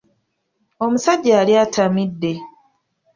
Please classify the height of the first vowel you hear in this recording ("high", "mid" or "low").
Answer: mid